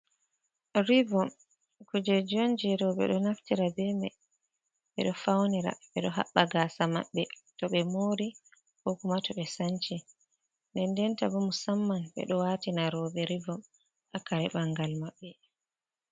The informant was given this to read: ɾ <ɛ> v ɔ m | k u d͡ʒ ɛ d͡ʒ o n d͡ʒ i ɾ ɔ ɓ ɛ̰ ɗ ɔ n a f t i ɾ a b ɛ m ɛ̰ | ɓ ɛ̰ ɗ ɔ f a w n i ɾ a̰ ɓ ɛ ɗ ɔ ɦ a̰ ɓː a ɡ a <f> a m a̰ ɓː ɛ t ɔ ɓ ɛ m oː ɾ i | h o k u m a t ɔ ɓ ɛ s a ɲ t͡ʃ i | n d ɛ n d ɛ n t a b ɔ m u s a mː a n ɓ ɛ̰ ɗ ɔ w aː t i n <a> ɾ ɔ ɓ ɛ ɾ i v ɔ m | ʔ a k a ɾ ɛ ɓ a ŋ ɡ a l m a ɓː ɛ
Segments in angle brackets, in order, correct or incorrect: incorrect: i, incorrect: s, correct

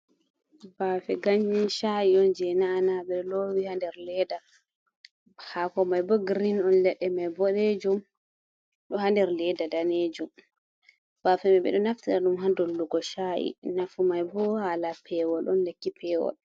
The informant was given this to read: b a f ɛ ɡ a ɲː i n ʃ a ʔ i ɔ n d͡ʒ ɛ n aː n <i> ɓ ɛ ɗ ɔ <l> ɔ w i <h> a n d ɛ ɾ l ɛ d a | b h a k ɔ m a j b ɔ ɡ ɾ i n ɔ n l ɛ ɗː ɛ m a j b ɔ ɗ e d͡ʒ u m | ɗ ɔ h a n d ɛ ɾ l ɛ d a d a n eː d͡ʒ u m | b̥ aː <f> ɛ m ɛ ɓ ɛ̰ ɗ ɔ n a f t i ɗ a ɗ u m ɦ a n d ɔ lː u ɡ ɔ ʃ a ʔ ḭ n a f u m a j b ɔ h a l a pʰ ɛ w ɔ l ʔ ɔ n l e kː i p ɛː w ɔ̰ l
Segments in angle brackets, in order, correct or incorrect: incorrect: a, correct, correct, correct

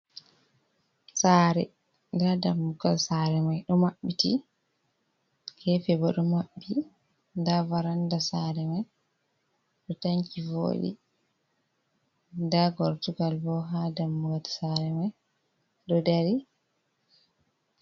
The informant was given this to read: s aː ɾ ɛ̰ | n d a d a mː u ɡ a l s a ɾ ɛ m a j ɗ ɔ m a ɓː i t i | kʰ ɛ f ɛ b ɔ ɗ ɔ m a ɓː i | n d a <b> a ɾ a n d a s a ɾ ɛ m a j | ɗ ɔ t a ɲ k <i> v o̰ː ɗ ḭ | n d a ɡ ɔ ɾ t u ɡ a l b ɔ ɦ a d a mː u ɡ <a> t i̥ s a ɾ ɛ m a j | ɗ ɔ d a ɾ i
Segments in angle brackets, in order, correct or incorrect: incorrect: v, correct, correct

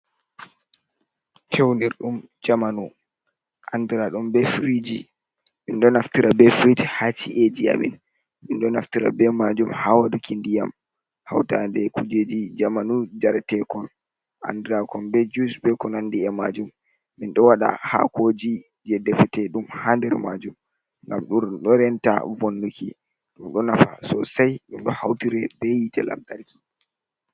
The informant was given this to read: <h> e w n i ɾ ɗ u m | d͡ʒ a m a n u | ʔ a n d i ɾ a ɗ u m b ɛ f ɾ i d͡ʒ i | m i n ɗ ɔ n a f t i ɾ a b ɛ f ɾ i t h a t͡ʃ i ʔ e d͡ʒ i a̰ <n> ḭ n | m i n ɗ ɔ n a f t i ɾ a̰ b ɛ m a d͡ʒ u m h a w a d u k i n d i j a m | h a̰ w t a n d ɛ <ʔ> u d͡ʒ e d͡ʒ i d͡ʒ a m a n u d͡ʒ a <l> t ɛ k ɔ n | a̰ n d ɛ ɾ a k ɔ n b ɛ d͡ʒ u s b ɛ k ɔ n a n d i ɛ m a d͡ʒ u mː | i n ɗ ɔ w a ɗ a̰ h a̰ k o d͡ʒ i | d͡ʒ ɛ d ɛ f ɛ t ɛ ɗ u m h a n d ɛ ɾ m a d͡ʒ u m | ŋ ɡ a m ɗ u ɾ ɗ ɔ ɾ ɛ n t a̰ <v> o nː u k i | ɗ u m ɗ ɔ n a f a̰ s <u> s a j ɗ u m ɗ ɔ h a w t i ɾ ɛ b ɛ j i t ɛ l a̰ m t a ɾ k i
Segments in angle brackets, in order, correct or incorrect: incorrect: f, incorrect: m, incorrect: k, incorrect: ɾ, correct, incorrect: ɔ

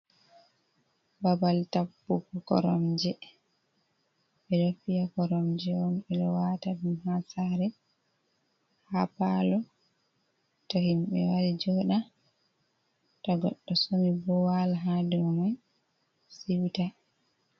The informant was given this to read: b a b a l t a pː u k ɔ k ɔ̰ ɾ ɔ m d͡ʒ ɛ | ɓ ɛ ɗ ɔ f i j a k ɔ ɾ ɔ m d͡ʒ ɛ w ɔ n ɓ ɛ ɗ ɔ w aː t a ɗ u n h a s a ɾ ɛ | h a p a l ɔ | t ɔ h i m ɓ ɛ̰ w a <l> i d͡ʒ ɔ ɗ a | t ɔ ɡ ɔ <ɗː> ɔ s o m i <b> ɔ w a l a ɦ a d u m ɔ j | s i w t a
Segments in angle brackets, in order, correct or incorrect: incorrect: ɾ, correct, correct

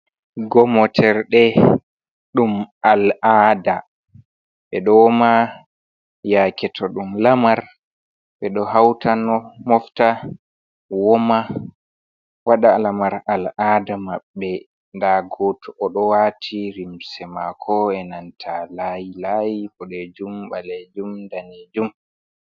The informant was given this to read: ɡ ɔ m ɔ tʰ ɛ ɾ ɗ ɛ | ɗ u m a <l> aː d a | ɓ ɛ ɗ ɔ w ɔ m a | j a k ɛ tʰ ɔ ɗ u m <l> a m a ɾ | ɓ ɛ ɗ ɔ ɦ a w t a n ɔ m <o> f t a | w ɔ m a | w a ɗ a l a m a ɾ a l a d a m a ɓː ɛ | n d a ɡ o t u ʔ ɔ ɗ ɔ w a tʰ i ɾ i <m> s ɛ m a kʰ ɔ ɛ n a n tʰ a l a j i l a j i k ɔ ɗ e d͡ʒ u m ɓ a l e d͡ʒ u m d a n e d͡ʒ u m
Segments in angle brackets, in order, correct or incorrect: correct, correct, incorrect: ɔ, correct

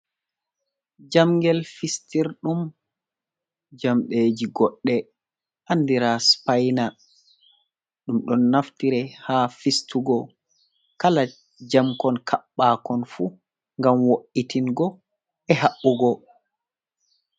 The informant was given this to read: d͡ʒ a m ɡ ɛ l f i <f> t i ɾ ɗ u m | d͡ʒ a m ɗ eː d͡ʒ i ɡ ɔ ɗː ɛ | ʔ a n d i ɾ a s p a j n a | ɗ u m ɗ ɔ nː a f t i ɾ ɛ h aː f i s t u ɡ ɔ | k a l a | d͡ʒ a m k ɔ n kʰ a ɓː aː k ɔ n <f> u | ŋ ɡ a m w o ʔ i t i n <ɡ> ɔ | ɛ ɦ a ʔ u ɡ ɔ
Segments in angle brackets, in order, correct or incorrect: incorrect: s, correct, correct

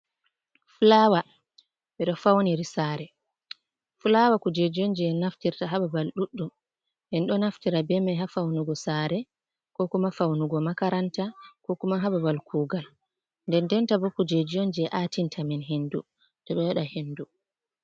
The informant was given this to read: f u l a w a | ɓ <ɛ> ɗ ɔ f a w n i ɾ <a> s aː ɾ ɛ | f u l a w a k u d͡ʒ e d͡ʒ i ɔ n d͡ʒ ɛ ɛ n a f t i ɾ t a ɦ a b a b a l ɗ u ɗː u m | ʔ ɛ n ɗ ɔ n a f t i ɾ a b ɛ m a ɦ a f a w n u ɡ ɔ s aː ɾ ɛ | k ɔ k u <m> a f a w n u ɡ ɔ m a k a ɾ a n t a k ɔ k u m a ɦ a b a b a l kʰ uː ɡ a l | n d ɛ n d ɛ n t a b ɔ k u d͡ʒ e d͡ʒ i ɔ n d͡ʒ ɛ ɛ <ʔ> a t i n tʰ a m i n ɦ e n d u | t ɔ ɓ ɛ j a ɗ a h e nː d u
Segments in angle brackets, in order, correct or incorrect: correct, incorrect: i, correct, correct

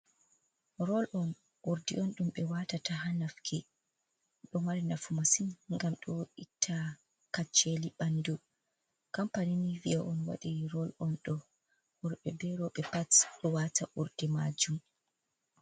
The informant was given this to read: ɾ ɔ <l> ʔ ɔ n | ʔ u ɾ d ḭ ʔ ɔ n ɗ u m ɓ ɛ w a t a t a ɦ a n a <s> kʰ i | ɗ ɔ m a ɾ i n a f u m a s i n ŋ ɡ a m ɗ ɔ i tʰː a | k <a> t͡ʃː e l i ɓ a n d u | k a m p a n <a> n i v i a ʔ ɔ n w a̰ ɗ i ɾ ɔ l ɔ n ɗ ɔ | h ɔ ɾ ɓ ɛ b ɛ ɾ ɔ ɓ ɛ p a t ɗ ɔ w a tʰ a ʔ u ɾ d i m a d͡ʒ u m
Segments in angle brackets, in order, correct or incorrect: correct, incorrect: f, correct, incorrect: i

